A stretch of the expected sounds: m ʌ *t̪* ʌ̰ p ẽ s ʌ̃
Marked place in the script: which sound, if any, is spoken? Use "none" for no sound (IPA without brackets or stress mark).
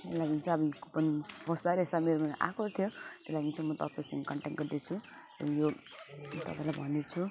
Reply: t̪